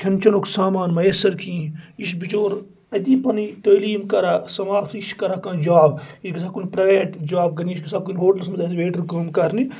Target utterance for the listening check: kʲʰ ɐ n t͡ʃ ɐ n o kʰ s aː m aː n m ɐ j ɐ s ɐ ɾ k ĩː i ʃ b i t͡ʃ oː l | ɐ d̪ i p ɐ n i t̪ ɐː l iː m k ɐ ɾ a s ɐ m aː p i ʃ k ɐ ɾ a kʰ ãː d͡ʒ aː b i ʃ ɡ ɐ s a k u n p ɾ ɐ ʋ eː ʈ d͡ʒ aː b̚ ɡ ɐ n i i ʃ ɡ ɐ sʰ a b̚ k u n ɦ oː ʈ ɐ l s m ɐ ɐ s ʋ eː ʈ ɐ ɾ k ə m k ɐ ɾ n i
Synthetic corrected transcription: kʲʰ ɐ n t͡ʃ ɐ n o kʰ s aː m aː n m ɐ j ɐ s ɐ ɾ k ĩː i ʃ b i t͡ʃ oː ɾ | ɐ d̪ i p ɐ n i t̪ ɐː l iː m k ɐ ɾ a s ɐ m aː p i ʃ k ɐ ɾ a k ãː d͡ʒ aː b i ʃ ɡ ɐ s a k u n p ɾ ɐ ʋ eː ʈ d͡ʒ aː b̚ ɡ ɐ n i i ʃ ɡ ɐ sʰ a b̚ k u n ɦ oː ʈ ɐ l s m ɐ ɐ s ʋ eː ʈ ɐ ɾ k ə m k ɐ ɾ n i